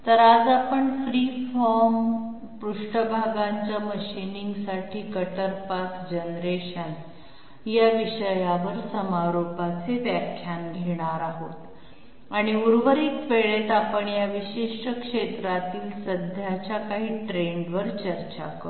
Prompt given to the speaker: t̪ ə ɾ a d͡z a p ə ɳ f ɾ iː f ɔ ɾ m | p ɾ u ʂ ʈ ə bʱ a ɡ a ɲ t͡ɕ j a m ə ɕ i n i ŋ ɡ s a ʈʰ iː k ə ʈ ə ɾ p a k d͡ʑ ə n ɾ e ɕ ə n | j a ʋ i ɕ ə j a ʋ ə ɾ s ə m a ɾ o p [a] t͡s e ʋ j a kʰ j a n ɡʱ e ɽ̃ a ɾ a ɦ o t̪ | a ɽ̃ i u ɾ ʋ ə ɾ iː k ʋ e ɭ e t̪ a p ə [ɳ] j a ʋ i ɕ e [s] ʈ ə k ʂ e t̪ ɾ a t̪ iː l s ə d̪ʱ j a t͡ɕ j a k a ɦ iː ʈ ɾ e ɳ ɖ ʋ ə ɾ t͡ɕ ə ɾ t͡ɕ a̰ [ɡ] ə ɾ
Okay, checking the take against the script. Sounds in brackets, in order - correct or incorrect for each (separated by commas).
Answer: correct, correct, incorrect, incorrect